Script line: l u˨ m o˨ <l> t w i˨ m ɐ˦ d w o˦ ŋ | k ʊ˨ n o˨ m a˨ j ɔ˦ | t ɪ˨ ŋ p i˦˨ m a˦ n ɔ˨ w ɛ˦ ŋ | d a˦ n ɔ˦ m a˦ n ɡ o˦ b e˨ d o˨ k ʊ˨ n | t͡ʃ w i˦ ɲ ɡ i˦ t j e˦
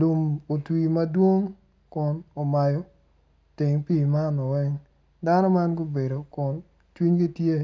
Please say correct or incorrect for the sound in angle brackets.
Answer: incorrect